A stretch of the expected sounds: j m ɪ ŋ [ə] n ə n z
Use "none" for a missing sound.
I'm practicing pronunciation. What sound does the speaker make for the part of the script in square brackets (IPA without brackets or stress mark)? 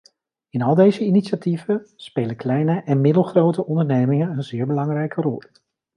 ə